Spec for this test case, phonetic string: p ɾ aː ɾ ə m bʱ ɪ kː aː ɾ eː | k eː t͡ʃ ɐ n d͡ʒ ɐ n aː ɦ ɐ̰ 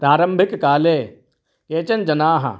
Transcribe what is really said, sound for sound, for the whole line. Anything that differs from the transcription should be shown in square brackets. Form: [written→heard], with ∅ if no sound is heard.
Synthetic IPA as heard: p ɾ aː ɾ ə m bʱ ɪ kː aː [ɾ→l] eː | k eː t͡ʃ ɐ n d͡ʒ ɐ n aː ɦ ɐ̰